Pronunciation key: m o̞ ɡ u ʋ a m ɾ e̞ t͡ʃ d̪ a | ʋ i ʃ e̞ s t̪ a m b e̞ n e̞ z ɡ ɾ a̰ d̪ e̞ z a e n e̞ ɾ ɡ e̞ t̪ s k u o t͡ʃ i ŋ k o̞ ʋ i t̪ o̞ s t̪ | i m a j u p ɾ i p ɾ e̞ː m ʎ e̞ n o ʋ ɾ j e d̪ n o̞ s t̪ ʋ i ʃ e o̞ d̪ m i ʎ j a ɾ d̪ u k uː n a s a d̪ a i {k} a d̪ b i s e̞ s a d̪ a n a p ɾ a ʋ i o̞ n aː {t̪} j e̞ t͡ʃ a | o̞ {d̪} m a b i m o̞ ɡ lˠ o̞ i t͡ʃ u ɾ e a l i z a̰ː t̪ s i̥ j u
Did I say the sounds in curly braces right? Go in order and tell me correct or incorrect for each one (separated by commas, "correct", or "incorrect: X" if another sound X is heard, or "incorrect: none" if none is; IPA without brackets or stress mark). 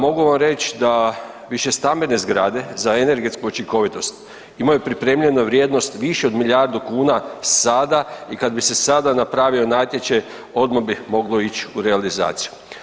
correct, correct, correct